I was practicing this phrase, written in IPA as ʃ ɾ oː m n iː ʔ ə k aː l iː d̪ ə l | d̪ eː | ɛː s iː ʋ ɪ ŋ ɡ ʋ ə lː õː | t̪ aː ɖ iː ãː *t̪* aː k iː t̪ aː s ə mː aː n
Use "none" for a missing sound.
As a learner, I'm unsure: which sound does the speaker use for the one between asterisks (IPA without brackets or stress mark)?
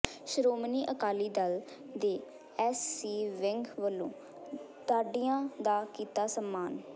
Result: d̪